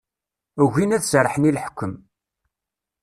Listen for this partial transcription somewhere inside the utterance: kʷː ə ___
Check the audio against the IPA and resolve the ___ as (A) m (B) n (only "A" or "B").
A